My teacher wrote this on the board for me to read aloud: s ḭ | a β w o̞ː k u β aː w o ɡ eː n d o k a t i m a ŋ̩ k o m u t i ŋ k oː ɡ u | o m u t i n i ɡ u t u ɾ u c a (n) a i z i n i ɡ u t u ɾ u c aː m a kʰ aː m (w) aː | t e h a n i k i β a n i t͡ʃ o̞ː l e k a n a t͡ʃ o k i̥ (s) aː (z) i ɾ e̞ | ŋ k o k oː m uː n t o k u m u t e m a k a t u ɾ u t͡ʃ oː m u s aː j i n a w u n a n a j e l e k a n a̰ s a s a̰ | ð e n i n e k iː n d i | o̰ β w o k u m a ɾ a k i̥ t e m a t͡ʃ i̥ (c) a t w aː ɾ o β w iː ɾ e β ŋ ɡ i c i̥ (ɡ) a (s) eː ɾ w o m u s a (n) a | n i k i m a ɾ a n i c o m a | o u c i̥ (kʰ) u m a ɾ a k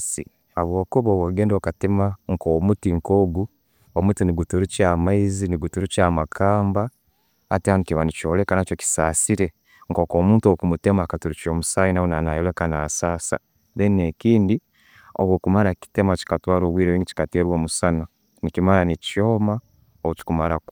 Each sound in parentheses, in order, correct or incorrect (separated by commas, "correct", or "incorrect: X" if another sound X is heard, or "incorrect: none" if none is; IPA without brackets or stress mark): incorrect: m, incorrect: b, correct, incorrect: s, incorrect: k, incorrect: k, incorrect: t, correct, incorrect: k